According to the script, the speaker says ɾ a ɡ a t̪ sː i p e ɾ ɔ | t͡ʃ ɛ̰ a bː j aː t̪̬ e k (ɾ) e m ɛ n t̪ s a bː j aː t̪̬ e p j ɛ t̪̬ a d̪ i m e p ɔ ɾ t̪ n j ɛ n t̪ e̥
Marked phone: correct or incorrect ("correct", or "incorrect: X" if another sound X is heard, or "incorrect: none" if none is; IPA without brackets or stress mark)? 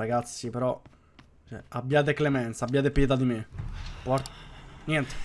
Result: incorrect: l